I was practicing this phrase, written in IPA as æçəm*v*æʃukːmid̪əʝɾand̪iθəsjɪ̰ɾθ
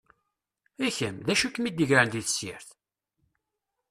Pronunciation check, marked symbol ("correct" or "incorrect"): incorrect